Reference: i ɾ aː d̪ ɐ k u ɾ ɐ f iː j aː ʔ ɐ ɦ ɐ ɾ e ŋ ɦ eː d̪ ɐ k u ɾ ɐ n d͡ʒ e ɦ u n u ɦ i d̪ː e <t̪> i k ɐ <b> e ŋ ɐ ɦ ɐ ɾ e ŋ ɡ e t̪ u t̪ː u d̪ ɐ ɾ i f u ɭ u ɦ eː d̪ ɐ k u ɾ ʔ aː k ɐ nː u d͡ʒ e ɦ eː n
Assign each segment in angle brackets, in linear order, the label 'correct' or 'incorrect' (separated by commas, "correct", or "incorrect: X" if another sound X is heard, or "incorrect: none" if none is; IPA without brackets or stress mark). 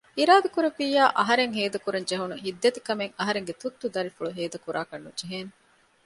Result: correct, incorrect: m